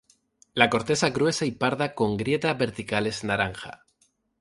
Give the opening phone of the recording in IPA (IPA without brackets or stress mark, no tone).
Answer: l